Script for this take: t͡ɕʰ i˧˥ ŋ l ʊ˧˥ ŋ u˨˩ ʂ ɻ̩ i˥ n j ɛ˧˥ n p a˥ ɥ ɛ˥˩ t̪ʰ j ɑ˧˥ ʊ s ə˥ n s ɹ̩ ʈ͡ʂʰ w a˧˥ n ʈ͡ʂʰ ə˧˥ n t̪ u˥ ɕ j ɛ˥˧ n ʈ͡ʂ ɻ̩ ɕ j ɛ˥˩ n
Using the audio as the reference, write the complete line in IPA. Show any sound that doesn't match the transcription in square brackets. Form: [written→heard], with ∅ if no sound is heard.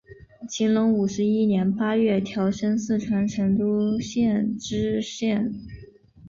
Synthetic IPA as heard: t͡ɕʰ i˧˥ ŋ l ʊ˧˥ ŋ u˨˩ ʂ ɻ̩ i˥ n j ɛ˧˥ n p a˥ ɥ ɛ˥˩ t̪ʰ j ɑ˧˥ ʊ [s→ʂ] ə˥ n s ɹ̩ ʈ͡ʂʰ w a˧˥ n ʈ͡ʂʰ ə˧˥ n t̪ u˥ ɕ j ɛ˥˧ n ʈ͡ʂ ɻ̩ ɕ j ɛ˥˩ n